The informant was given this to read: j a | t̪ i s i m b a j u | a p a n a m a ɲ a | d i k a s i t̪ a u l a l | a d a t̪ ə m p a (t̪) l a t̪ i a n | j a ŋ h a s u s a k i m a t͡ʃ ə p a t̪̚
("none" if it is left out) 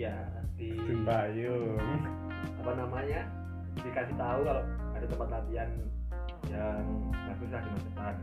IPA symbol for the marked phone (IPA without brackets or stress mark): t̪